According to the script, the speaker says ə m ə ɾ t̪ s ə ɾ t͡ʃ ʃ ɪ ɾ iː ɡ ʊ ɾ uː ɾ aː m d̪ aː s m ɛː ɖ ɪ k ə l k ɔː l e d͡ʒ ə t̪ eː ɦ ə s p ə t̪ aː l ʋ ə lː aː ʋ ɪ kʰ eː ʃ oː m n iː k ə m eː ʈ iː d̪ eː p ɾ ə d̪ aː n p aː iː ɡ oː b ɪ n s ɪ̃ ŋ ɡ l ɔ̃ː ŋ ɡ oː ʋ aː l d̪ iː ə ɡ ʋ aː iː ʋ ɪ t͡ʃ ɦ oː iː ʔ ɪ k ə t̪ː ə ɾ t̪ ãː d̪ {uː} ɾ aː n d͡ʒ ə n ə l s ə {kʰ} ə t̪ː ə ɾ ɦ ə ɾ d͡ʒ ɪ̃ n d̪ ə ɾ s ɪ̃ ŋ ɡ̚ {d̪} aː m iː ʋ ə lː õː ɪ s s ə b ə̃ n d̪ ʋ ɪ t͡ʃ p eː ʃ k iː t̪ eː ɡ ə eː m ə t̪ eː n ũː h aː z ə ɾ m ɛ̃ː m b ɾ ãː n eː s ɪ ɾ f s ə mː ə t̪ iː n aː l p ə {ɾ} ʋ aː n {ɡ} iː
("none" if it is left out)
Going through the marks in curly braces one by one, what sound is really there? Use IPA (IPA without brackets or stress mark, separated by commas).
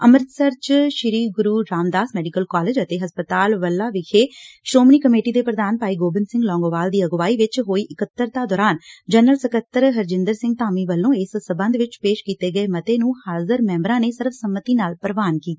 ɔː, k, t̪, ɾ, k